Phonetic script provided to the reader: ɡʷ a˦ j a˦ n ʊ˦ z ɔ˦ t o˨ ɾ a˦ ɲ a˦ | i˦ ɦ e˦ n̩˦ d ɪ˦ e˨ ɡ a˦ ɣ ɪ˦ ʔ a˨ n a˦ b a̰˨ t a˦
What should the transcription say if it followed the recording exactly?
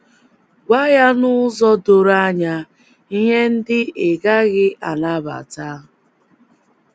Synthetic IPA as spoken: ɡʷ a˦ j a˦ n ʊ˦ z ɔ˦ d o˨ ɾ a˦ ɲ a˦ | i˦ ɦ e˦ n̩˦ d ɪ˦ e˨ ɡ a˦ ɣ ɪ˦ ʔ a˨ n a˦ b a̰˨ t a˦

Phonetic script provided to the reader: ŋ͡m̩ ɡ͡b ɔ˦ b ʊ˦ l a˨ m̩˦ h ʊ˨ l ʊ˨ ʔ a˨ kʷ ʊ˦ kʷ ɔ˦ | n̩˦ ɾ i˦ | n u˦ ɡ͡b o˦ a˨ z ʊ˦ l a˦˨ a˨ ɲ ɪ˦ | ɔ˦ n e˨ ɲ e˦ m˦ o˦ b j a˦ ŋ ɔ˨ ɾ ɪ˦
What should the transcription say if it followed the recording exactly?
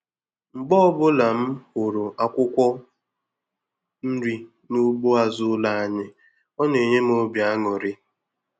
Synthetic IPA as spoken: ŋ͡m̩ ɡ͡b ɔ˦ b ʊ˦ l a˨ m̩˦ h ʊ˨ ɾ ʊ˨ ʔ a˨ kʷ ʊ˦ kʷ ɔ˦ | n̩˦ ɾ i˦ | n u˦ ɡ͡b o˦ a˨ z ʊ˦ l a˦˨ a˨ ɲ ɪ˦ | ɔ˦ n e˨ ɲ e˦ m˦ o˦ b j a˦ ŋ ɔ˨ ɾ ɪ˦

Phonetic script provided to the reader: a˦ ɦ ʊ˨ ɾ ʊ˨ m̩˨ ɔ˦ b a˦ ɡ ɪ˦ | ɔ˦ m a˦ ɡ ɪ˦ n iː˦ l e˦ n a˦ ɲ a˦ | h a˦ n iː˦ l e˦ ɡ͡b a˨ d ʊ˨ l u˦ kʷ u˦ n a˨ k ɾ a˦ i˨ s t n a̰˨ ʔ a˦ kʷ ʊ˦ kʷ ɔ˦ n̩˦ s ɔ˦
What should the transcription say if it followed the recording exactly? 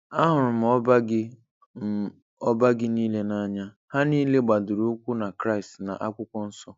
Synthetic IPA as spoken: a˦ ɦ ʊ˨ ɾ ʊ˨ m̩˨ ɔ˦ b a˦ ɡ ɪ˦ | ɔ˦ b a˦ ɡ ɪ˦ n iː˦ l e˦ n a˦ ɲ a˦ | h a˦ n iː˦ l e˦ ɡ͡b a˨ d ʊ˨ ɾ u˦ kʷ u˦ n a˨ k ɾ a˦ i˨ s t n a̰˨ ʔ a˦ kʷ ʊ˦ kʷ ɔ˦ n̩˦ s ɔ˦

